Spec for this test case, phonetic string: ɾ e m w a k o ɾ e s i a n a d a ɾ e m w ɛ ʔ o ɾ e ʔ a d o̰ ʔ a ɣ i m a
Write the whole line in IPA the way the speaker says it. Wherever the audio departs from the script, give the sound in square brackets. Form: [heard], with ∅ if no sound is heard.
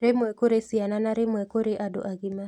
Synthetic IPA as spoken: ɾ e m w [ɛ] k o ɾ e s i a n a [n] a ɾ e m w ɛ [k] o ɾ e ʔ a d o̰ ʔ a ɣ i m a